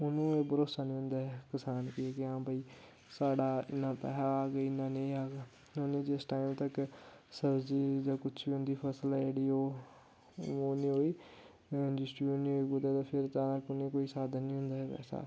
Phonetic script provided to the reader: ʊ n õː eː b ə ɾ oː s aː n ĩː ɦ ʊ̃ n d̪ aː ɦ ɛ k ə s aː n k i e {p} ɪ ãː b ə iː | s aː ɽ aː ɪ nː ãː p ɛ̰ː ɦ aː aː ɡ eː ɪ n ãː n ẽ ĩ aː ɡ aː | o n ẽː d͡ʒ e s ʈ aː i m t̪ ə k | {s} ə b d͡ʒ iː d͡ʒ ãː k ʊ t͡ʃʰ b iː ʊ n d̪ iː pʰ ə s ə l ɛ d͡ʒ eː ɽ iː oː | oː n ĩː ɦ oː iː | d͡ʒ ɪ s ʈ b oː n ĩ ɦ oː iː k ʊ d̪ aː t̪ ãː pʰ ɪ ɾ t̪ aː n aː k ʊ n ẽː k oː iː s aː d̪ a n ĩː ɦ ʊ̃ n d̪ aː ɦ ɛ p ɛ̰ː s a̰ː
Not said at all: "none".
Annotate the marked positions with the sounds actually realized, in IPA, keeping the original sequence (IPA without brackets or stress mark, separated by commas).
k, s